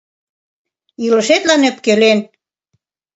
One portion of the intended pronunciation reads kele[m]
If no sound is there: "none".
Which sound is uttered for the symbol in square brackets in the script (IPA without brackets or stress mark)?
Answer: n